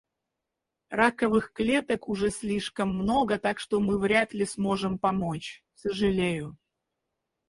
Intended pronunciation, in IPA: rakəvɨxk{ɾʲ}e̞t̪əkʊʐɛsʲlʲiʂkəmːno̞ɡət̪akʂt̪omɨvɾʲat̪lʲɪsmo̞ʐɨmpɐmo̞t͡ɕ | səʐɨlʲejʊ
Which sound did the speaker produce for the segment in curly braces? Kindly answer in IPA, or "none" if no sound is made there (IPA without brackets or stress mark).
lʲ